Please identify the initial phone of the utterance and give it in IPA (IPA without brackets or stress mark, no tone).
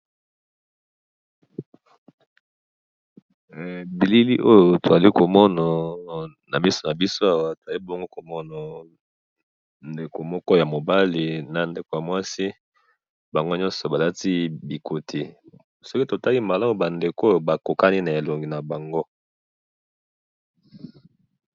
b